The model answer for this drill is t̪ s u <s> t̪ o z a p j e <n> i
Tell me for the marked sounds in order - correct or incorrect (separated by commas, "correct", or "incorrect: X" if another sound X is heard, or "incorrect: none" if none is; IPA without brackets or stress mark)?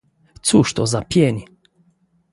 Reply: incorrect: ʃ, correct